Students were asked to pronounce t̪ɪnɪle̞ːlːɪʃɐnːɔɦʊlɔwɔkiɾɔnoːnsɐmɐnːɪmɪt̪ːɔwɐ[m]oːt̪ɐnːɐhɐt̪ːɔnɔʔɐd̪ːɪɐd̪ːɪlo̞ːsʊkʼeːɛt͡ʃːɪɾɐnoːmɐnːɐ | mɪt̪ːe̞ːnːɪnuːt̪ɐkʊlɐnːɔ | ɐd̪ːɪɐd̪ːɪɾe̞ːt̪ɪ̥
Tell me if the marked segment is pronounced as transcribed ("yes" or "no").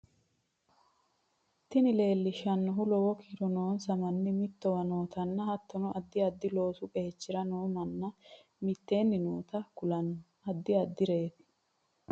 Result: no